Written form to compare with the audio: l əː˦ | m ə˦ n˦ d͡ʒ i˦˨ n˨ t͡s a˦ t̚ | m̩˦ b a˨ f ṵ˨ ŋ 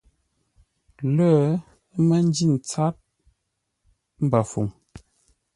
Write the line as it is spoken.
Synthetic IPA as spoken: l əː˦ | m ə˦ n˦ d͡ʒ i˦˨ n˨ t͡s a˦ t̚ | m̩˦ b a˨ f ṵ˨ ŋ